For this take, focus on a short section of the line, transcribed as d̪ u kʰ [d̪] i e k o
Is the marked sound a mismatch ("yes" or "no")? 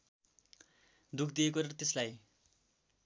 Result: no